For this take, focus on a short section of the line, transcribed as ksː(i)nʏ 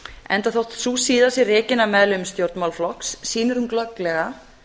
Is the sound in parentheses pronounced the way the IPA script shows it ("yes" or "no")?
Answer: no